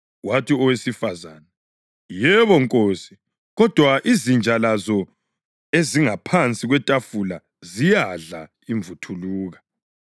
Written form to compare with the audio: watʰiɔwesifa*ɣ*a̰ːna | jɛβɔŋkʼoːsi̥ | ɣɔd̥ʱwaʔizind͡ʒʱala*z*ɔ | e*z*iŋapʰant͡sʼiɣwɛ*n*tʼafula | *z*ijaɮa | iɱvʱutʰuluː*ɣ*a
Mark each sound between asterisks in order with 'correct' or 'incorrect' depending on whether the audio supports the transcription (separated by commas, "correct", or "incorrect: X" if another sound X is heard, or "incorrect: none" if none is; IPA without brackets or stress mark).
incorrect: z, correct, correct, incorrect: none, correct, correct